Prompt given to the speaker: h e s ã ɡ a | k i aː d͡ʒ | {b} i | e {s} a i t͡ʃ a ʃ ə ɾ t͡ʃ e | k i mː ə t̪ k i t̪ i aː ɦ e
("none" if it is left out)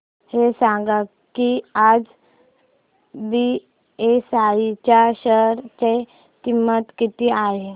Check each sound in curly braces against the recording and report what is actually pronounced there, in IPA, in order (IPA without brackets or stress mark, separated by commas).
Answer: b, s